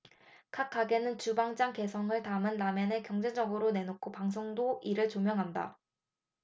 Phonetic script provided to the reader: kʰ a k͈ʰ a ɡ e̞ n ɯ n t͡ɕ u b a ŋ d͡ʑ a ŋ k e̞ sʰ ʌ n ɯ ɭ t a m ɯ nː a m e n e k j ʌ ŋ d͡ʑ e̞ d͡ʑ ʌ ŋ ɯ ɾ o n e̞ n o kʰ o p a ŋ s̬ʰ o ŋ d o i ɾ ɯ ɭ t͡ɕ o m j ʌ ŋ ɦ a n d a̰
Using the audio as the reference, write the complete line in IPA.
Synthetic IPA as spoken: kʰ a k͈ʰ a ɡ e̞ n ɯ n t͡ɕ u b a ŋ d͡ʑ a ŋ k e̞ sʰ ʌ ŋ ɯ ɭ t a m ɯ nː a m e n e k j ʌ ŋ d͡ʑ e̞ d͡ʑ ʌ ɡ ɯ ɾ o n e̞ n o kʰ o p a ŋ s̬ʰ o ŋ d o i ɾ ɯ ɭ t͡ɕ o m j ʌ ŋ ɦ a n d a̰

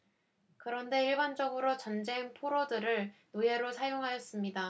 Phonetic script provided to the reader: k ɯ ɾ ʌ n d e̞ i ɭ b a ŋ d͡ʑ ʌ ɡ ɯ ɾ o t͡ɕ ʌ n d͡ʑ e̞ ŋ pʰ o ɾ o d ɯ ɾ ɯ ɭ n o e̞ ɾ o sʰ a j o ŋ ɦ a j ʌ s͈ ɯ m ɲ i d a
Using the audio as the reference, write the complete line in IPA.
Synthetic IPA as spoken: k ɯ ɾ ʌ n d e̞ i ɭ b a n d͡ʑ ʌ ɡ ɯ ɾ o t͡ɕ ʌ n d͡ʑ e̞ ŋ pʰ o ɾ o d ɯ ɾ ɯ ɭ n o e̞ ɾ o sʰ a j o ŋ ɦ a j ʌ s͈ ɯ m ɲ i d a

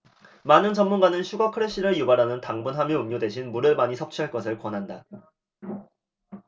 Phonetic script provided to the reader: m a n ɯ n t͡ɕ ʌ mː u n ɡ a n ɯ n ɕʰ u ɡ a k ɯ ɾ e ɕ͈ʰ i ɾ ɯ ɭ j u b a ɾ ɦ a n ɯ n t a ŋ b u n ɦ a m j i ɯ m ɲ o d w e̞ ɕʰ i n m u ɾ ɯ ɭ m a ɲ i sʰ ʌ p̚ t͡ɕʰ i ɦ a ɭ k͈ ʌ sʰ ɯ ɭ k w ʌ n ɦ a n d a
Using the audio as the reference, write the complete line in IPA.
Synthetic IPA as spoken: m a n ɯ n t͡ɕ ʌ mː u n ɡ a n ɯ n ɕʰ u ɡ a kʰ ɯ ɾ e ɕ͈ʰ i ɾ ɯ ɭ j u b a ɾ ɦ a n ɯ n t a ŋ b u n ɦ a m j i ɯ m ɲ o d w e̞ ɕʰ i n m u ɾ ɯ ɭ m a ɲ i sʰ ʌ p̚ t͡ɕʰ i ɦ a ɭ k͈ ʌ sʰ ɯ ɭ k w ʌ n ɦ a n d a

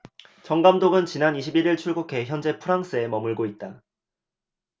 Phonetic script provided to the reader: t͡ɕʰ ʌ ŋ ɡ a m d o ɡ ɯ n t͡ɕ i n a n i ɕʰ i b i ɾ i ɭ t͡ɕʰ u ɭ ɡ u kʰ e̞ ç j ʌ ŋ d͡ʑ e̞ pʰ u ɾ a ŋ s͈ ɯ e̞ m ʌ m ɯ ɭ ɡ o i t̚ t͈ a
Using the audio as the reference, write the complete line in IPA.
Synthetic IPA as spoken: t͡ɕ ʌ ŋ ɡ a m d o ɡ ɯ n t͡ɕ i n a n i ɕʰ i b i ɾ i ɭ t͡ɕʰ u ɭ ɡ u kʰ e̞ ç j ʌ n d͡ʑ e̞ pʰ u ɾ a ŋ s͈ ɯ e̞ m ʌ m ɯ ɭ ɡ o i t̚ t͈ a

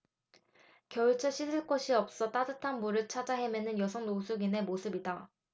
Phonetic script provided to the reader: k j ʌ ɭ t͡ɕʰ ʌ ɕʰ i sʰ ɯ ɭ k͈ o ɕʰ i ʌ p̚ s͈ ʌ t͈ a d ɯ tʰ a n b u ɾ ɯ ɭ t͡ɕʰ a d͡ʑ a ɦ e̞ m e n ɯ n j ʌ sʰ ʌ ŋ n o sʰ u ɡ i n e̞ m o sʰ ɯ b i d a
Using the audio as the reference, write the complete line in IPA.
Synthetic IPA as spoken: k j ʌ ɭ t͡ɕʰ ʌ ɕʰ i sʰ ɯ ɭ k͈ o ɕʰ i ʌ p̚ s͈ ʌ t͈ a d ɯ tʰ a n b u ɾ ɯ ɭ t͡ɕʰ a d͡ʑ a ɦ e̞ m e n ɯ n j ʌ sʰ ʌ ŋ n o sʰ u ɡ i n e̞ m o sʰ ɯ b i d a

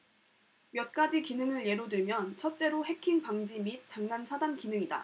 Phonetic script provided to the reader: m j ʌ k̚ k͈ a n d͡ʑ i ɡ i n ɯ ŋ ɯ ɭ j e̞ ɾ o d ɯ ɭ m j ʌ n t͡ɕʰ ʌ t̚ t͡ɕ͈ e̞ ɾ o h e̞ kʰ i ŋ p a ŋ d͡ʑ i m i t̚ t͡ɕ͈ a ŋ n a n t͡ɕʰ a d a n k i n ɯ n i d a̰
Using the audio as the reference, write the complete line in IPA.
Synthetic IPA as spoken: m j ʌ t̚ k͈ a d͡ʑ i k i n ɯ ŋ ɯ ɭ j e̞ ɾ o d ɯ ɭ m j ʌ n t͡ɕʰ ʌ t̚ t͡ɕ͈ e̞ ɾ o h e̞ kʰ i ŋ p a ŋ d͡ʑ i m i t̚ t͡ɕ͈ a ŋ n a n t͡ɕʰ a d a n k i n ɯ ŋ i d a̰

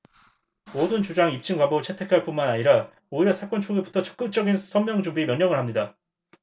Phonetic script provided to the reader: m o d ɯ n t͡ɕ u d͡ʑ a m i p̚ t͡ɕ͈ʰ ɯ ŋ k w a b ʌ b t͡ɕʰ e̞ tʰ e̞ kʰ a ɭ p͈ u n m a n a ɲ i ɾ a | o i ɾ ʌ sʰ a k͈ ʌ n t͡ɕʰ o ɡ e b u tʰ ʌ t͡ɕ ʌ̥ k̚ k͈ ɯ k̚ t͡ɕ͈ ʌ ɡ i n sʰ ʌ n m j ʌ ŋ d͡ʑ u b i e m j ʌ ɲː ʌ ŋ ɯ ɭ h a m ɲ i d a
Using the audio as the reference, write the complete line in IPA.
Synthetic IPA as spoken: m o d ɯ n t͡ɕ u d͡ʑ a ŋ i p̚ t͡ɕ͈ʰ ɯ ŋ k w a b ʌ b t͡ɕʰ e̞ tʰ e̞ kʰ a ɭ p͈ u n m a n a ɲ i ɾ a | o i ɾ ʌ sʰ a k͈ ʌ n t͡ɕʰ o ɡ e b u tʰ ʌ t͡ɕ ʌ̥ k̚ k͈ ɯ k̚ t͡ɕ͈ ʌ ɡ i n sʰ ʌ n m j ʌ ŋ d͡ʑ u b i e m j ʌ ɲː ʌ ŋ ɯ ɭ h a m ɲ i d a

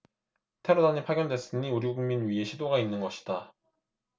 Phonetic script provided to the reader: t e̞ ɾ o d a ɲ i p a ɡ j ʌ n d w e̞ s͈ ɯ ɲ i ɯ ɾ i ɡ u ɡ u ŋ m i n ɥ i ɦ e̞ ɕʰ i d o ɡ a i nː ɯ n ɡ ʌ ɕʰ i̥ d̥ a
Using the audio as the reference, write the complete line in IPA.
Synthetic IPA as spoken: tʰ e̞ ɾ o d a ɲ i pʰ a ɡ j ʌ n d w e̞ s͈ ɯ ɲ i u ɾ i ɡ u ɡ u ŋ m i n ɥ i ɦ e̞ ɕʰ i d o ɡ a i nː ɯ n ɡ ʌ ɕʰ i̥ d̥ a

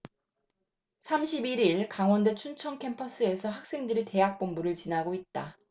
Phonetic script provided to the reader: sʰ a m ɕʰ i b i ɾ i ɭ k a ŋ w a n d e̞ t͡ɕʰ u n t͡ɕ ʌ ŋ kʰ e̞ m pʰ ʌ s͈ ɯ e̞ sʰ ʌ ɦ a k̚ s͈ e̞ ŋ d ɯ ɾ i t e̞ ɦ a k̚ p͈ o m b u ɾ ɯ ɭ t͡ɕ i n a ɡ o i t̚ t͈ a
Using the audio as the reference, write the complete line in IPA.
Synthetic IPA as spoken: sʰ a m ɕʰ i b i ɾ i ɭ k a ŋ w ʌ n d e̞ t͡ɕʰ u n t͡ɕʰ ʌ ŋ kʰ e̞ m pʰ ʌ s͈ ɯ e̞ sʰ ʌ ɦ a k̚ s͈ e̞ ŋ d ɯ ɾ i t e̞ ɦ a k̚ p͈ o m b u ɾ ɯ ɭ t͡ɕ i n a ɡ o i t̚ t͈ a

